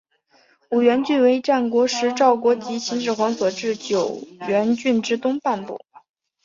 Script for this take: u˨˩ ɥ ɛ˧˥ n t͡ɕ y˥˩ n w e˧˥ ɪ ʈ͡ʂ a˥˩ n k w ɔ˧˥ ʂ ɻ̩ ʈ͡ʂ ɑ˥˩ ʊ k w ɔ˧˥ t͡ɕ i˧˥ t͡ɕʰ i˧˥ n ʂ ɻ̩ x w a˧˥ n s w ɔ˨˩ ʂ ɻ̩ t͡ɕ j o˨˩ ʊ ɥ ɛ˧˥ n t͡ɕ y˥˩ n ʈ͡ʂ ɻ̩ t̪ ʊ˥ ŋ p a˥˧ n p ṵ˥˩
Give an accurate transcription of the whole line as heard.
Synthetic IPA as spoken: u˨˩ ɥ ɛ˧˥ n t͡ɕ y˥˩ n w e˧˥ ɪ ʈ͡ʂ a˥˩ n k w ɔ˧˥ ʂ ɻ̩ ʈ͡ʂ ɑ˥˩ ʊ k w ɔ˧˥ t͡ɕ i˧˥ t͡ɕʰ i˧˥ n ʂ ɻ̩ x w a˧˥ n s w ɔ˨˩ ʈ͡ʂ ɻ̩ t͡ɕ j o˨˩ ʊ ɥ ɛ˧˥ n t͡ɕ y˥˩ n ʈ͡ʂ ɻ̩ t̪ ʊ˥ ŋ p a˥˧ n p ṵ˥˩